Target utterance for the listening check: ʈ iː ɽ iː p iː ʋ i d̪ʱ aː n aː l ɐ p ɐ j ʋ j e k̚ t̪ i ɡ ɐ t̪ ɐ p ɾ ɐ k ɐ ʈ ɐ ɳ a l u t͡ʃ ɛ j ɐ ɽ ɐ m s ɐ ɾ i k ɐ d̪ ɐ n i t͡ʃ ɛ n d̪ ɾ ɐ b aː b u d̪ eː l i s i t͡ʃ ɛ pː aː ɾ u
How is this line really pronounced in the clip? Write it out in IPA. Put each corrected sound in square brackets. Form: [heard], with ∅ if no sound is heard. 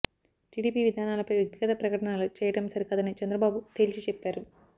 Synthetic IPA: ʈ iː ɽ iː p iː ʋ i d̪ʱ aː n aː l ɐ p ɐ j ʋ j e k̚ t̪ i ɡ ɐ t̪ ɐ p ɾ ɐ k ɐ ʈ ɐ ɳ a l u t͡ʃ [ɛː] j ɐ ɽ ɐ m s ɐ ɾ i k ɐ d̪ ɐ n i t͡ʃ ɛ n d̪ ɾ ɐ b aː b u [t̪] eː l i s i t͡ʃ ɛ pː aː ɾ u